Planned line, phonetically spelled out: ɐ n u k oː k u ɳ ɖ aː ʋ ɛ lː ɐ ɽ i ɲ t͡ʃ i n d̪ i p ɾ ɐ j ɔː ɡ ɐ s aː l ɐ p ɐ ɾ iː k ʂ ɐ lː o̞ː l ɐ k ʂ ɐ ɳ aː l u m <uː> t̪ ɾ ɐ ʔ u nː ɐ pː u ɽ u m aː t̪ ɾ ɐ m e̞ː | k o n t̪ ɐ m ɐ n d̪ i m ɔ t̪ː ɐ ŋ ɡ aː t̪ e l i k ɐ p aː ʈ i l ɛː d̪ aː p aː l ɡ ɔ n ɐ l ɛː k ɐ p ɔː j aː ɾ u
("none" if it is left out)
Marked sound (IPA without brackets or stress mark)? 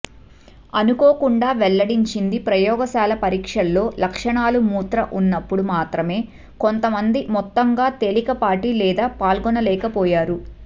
uː